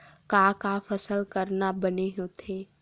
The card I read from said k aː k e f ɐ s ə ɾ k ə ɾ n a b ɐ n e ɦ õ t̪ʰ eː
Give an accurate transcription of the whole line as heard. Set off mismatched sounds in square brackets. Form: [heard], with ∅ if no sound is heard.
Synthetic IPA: k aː k [a] f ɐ s ə [l] k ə ɾ n a b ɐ n e ɦ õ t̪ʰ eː